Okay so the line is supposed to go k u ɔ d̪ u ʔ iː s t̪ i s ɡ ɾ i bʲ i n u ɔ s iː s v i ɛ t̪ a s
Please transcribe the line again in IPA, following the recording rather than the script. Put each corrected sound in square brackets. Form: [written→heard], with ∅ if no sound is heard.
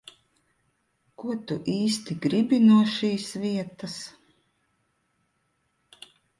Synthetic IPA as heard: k u ɔ [d̪→t̪] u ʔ iː s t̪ i [s→∅] ɡ ɾ i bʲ i n u ɔ [s→ʃ] iː s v i ɛ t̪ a s